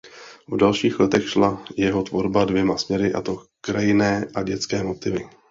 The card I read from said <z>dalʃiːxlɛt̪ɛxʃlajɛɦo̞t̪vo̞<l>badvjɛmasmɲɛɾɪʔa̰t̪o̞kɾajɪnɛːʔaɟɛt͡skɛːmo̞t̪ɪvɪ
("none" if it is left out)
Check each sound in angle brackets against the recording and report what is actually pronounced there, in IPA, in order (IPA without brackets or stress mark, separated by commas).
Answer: v, ɾ